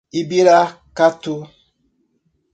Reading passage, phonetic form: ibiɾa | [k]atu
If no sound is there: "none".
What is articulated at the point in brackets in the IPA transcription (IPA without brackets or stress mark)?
k